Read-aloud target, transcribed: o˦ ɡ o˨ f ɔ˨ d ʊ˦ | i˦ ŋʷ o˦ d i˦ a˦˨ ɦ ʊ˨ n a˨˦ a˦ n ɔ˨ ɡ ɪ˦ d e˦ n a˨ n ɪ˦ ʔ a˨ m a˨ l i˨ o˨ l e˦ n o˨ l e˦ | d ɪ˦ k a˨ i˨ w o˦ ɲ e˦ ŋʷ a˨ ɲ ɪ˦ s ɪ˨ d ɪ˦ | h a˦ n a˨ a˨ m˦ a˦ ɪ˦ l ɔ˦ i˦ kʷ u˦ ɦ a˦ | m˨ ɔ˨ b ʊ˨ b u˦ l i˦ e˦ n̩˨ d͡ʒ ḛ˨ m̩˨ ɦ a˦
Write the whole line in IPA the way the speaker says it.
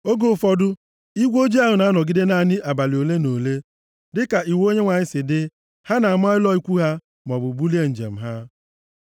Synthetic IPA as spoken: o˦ ɡ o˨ f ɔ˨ d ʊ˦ | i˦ ɡʷ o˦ d͡ʒ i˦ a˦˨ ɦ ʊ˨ n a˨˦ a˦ n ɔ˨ ɡ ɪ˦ d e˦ n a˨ n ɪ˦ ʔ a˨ b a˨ l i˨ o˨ l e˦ n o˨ l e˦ | d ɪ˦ k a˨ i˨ w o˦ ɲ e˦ ŋʷ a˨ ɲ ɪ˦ s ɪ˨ d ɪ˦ | h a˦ n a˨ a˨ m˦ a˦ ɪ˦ l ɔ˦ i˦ kʷ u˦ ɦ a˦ | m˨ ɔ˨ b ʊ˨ b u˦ l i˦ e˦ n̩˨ d͡ʒ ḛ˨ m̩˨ ɦ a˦